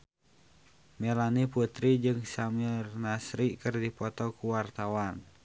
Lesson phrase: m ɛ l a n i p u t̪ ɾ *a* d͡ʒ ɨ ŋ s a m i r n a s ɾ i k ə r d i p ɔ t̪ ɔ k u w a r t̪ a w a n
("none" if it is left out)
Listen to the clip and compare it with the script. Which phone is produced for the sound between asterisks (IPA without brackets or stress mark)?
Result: i